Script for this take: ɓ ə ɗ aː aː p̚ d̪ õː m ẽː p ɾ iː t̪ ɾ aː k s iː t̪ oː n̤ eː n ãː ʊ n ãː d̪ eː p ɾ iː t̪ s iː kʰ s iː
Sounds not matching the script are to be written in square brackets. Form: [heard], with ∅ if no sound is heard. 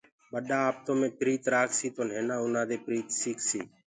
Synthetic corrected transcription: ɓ ə ɗ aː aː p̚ [t̪] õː m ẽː p ɾ iː t̪ ɾ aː k s iː t̪ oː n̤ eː n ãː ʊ n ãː d̪ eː p ɾ iː t̪ s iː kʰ s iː